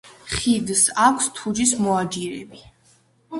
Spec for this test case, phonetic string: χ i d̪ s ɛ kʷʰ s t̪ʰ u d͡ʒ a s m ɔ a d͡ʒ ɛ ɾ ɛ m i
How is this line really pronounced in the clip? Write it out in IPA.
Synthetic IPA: χ i d̪ s a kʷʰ s t̪ʰ u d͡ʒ i s m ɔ a d͡ʒ i ɾ ɛ b i